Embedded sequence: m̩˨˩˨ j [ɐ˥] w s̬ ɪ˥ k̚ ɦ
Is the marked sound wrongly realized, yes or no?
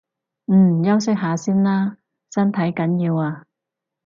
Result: no